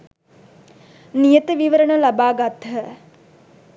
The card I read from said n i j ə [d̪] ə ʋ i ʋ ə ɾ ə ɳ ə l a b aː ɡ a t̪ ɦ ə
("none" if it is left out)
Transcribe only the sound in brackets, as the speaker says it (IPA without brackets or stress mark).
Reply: t̪